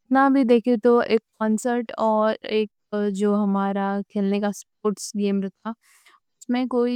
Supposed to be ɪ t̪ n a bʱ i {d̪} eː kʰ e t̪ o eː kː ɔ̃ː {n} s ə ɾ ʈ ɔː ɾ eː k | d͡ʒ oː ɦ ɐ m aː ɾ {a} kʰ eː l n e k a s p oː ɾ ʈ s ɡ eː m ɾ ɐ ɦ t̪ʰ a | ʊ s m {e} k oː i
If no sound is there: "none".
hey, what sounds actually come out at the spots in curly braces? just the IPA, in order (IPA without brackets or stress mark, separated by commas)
d̪, n, a, ẽ